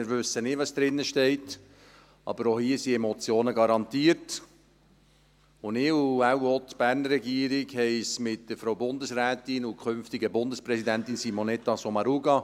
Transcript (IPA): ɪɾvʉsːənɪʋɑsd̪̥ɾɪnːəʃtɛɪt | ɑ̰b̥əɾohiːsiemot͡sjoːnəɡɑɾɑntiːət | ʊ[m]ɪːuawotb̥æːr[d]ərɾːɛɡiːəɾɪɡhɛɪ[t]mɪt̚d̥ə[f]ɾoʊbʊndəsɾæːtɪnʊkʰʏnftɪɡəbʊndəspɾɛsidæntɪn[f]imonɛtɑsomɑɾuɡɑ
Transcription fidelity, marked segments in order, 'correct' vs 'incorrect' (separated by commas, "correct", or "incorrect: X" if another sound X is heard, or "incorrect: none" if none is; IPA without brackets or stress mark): incorrect: n, incorrect: n, incorrect: s, correct, incorrect: s